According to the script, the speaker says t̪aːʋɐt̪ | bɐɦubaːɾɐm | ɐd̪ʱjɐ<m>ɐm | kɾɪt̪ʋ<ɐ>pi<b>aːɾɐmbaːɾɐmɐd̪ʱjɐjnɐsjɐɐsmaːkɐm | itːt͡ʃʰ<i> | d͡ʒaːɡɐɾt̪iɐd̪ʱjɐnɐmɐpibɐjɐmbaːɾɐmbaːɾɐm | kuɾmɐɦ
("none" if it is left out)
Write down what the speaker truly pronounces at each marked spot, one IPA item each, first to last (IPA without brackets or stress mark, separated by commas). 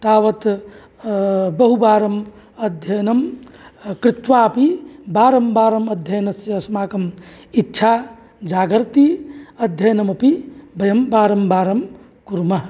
n, a, b, a